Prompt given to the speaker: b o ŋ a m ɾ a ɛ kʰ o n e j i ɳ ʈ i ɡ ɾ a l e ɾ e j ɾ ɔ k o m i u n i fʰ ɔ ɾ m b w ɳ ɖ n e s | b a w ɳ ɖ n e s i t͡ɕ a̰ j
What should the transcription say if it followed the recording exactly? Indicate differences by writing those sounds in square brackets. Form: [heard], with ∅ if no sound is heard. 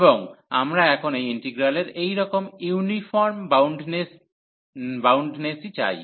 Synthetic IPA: b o ŋ a m ɾ a ɛ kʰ o n e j i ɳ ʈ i ɡ ɾ a l e ɾ e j ɾ ɔ k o m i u n i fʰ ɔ ɾ m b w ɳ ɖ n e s | b a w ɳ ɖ n e s i t͡ɕ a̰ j

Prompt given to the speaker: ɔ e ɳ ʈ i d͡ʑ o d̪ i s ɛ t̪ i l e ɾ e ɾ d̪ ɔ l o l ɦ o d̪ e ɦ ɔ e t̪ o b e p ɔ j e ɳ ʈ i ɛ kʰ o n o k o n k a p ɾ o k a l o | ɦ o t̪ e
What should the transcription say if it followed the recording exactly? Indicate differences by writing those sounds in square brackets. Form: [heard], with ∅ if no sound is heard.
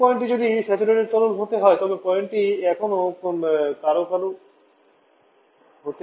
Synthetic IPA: ɔ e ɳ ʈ i d͡ʑ o d̪ i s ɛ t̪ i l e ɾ e ɾ [t̪] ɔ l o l ɦ o [t̪] e ɦ ɔ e t̪ [ɔ] b e p ɔ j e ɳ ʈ i ɛ kʰ o n o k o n k a [∅] ɾ o k a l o | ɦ o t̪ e

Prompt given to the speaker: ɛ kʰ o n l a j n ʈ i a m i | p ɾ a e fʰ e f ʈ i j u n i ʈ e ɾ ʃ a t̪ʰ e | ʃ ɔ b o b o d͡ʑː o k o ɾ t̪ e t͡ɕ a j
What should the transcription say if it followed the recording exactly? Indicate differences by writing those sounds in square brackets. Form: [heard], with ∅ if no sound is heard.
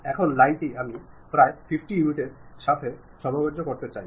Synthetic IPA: ɛ kʰ o n l a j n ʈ i a m i | p ɾ a e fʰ [i] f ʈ i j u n i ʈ e ɾ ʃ a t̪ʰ e | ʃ ɔ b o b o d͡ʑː o k o ɾ t̪ e t͡ɕ a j

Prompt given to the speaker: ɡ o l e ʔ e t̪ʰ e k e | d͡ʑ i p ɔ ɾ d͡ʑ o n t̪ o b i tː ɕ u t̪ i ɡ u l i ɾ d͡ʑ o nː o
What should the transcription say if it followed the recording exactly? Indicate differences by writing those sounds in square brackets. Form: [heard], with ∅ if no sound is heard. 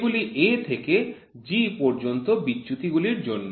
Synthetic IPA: ɡ [u] l [i] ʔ e t̪ʰ e k e | d͡ʑ i p ɔ ɾ d͡ʑ o n t̪ o b i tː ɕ u t̪ i ɡ u l i ɾ d͡ʑ o nː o

